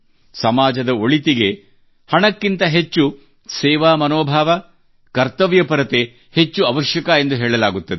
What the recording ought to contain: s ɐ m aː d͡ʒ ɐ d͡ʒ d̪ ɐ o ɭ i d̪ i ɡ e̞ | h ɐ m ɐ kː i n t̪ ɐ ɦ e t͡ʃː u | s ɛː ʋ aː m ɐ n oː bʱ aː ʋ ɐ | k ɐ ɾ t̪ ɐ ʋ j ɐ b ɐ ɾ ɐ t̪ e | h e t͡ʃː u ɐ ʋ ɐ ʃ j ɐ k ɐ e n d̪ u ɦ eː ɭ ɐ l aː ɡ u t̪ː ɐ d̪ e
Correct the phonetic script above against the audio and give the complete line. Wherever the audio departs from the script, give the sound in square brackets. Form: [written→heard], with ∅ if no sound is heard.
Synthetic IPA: s ɐ m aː d͡ʒ ɐ [d͡ʒ→∅] d̪ ɐ o ɭ i [d̪→t̪] i ɡ e̞ | h ɐ [m→ɳ] ɐ kː i n t̪ ɐ ɦ e t͡ʃː u | s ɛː ʋ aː m ɐ n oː bʱ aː ʋ ɐ | k ɐ ɾ t̪ ɐ ʋ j ɐ [b→p] ɐ ɾ ɐ t̪ e | h e t͡ʃː u ɐ ʋ ɐ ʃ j ɐ k ɐ e n d̪ u ɦ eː ɭ ɐ l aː ɡ u t̪ː ɐ d̪ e

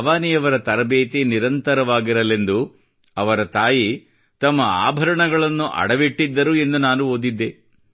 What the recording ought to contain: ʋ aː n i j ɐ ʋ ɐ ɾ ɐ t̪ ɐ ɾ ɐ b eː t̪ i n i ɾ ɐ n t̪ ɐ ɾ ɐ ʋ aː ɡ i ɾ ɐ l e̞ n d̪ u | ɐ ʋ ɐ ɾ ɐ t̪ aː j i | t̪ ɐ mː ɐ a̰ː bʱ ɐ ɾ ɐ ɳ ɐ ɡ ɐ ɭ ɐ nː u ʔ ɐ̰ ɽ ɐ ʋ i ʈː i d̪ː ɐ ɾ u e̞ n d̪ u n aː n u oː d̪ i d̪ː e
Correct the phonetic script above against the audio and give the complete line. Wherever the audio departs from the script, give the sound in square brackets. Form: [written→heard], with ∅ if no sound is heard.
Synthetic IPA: ʋ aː n i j ɐ ʋ ɐ ɾ ɐ t̪ ɐ ɾ ɐ b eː t̪ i n i ɾ ɐ n t̪ ɐ ɾ ɐ ʋ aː ɡ i ɾ ɐ l e̞ n d̪ u | ɐ ʋ ɐ ɾ ɐ t̪ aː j i | t̪ ɐ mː ɐ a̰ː bʱ ɐ ɾ ɐ ɳ ɐ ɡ ɐ ɭ ɐ nː u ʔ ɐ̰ ɽ ɐ ʋ i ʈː i d̪ː ɐ ɾ u e̞ n d̪ u n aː n u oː d̪ i d̪ː e

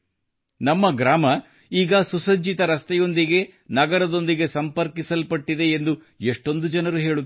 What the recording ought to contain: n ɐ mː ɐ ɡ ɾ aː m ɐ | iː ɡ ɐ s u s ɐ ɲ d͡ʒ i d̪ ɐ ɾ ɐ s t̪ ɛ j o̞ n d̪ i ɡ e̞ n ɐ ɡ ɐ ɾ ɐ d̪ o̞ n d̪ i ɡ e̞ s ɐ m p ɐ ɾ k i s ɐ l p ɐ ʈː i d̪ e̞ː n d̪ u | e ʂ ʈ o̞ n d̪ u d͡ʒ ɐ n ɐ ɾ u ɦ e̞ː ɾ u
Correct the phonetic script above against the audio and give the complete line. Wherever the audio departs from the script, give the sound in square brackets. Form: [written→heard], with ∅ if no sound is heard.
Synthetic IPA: n ɐ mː ɐ ɡ ɾ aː m ɐ | iː ɡ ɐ s u s ɐ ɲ d͡ʒ i [d̪→t̪] ɐ ɾ ɐ s t̪ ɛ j o̞ n d̪ i ɡ e̞ n ɐ ɡ ɐ ɾ ɐ d̪ o̞ n d̪ i ɡ e̞ s ɐ m p ɐ ɾ k i s ɐ l p ɐ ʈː i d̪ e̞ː n d̪ u | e ʂ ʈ o̞ n d̪ u d͡ʒ ɐ n ɐ ɾ u ɦ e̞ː [ɾ→ɭ] u

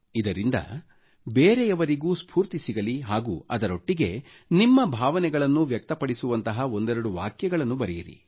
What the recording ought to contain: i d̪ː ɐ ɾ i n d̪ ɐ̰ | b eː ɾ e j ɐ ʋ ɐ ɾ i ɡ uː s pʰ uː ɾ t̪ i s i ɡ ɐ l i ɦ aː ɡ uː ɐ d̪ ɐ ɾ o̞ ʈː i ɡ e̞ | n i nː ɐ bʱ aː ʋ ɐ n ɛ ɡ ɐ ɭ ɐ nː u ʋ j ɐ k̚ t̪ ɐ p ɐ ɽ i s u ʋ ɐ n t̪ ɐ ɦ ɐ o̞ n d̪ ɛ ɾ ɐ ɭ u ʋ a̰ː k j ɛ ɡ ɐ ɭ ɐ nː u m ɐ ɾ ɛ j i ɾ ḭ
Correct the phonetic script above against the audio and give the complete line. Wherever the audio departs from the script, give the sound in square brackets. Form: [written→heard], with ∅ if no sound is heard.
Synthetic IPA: i [d̪ː→d̪] ɐ ɾ i n d̪ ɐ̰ | b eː ɾ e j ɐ ʋ ɐ ɾ i ɡ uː s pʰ uː ɾ t̪ i s i ɡ ɐ l i ɦ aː ɡ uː ɐ d̪ ɐ ɾ o̞ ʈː i ɡ e̞ | n i [nː→mː] ɐ bʱ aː ʋ ɐ n ɛ ɡ ɐ ɭ ɐ nː u ʋ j ɐ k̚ t̪ ɐ p ɐ ɽ i s u ʋ ɐ n t̪ ɐ ɦ ɐ o̞ n d̪ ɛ ɾ ɐ [ɭ→ɽ] u ʋ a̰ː k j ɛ ɡ ɐ ɭ ɐ nː u [m→b] ɐ ɾ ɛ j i ɾ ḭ

